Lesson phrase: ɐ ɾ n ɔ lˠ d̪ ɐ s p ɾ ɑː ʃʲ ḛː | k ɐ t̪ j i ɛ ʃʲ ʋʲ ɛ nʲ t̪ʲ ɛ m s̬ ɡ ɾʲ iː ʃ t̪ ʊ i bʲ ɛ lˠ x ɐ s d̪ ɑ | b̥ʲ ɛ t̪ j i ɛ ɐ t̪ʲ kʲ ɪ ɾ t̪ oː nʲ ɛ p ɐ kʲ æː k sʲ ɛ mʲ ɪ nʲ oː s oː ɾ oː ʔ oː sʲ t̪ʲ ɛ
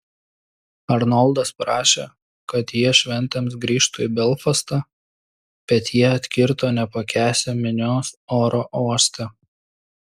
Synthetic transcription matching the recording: ɐ ɾ n ɔ lˠ d̪ ɐ s p ɾ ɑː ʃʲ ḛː | k ɐ t̪ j i ɛ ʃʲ ʋʲ ɛ nʲ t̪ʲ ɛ m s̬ ɡ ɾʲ iː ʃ t̪ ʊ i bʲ ɛ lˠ f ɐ s t̪ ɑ | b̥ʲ ɛ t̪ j i ɛ ɐ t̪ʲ kʲ ɪ ɾ t̪ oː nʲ ɛ p ɐ kʲ æː sʲ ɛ mʲ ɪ nʲ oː s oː ɾ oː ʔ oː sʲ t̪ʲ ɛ